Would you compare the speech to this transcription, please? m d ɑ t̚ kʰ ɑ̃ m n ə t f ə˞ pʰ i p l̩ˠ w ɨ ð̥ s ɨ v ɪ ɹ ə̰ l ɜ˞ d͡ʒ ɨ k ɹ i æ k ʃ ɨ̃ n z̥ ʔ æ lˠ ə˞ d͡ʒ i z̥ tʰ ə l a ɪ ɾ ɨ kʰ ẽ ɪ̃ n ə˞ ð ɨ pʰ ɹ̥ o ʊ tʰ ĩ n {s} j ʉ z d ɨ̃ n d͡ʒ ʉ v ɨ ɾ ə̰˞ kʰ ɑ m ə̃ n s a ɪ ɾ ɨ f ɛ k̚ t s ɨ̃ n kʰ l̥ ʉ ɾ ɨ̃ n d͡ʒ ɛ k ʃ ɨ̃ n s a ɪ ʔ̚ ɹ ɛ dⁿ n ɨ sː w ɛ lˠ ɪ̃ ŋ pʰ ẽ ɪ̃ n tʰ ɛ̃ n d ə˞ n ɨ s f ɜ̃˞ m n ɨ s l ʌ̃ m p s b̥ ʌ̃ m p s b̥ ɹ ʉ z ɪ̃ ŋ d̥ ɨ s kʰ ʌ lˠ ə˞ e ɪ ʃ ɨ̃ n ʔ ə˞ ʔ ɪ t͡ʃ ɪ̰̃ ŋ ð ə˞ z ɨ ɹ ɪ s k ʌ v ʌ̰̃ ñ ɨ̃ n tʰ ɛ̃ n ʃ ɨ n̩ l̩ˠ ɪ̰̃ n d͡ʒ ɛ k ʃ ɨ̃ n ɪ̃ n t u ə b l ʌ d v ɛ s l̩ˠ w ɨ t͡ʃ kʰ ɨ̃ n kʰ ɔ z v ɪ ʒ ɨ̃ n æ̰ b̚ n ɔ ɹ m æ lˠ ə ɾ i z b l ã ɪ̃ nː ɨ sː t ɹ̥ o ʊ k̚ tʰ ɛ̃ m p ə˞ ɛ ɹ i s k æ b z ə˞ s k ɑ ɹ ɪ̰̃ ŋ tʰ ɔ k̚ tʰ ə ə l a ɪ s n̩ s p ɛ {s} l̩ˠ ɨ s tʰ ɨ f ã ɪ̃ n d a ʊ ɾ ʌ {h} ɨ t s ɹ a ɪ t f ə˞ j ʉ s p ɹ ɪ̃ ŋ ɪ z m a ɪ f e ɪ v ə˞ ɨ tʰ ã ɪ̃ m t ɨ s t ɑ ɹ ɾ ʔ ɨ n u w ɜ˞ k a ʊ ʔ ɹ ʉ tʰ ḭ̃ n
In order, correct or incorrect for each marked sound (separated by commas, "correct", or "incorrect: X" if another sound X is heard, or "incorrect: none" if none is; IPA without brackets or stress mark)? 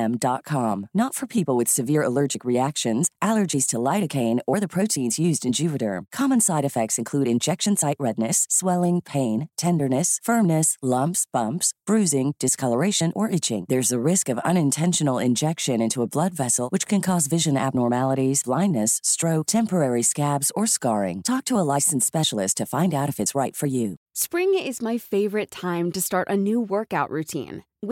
incorrect: z, incorrect: ʃ, incorrect: f